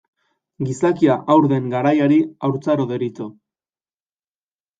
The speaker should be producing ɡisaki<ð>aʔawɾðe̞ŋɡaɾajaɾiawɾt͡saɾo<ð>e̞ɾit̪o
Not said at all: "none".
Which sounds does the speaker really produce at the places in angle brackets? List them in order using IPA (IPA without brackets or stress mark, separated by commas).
none, ð